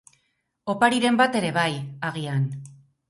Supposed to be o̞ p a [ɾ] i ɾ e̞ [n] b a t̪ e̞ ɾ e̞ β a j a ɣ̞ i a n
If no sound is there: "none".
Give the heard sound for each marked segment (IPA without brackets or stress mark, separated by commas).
ɾ, m